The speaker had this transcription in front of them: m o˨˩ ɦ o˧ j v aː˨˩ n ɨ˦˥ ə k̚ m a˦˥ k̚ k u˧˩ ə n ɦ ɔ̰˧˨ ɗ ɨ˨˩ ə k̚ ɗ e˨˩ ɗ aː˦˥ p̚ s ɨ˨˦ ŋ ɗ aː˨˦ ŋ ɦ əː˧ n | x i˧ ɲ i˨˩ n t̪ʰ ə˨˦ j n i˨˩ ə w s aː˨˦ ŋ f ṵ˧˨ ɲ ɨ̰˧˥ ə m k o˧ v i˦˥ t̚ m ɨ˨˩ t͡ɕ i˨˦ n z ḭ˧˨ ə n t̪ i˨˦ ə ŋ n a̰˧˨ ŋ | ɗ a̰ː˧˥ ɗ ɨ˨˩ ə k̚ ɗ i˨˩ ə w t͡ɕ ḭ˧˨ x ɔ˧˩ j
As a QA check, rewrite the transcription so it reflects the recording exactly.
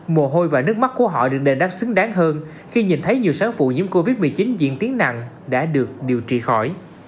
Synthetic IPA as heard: m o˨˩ ɦ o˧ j v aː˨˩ n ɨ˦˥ ə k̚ m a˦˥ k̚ k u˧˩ ə ɦ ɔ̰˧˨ ɗ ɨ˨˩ ə k̚ ɗ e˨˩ ɗ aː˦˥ p̚ s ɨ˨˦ ŋ ɗ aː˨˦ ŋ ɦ əː˧ n | x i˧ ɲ i˨˩ n t̪ʰ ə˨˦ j ɲ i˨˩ ə w s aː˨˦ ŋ f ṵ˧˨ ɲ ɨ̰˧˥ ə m k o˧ v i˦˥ t̚ m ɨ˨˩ t͡ɕ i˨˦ n z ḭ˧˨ ə n t̪ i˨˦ ə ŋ n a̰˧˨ ŋ | ɗ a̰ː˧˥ ɗ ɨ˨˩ ə k̚ ɗ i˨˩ ə w t͡ɕ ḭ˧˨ x ɔ˧˩ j